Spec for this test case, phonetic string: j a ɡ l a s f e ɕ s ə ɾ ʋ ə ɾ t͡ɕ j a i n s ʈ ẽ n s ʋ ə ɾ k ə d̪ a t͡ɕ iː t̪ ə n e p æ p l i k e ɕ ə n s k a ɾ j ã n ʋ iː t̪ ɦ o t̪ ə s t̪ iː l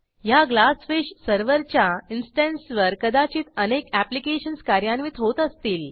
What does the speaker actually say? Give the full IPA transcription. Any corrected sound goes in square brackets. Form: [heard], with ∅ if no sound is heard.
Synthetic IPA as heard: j a ɡ l a s f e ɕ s ə ɾ ʋ ə ɾ t͡ɕ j a i n s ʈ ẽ n s ʋ ə ɾ k ə d̪ a t͡ɕ iː t̪ ə n e [k] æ p l i k e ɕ ə n s k a ɾ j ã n ʋ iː t̪ ɦ o t̪ ə s t̪ iː l